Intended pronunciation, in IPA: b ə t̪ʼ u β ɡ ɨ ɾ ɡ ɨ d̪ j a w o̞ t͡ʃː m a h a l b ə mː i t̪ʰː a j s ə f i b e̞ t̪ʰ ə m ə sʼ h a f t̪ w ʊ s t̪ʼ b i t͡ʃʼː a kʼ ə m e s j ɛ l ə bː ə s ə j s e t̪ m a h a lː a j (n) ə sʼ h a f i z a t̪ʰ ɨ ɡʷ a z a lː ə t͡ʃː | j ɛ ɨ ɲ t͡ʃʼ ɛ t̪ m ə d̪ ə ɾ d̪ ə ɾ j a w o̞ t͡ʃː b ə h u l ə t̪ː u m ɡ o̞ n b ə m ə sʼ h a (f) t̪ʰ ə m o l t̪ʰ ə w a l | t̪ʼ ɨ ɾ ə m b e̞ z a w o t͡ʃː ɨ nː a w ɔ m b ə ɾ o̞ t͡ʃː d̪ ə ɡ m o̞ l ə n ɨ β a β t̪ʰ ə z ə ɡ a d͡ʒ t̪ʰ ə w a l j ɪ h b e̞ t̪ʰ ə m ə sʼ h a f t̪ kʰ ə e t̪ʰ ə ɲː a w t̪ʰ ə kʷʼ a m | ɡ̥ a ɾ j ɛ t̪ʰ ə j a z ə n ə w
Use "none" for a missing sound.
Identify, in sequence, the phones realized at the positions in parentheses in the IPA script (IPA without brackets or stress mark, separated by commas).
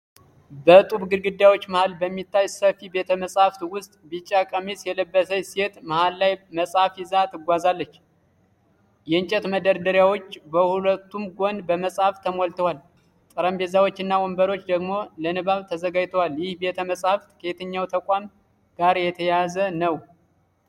m, f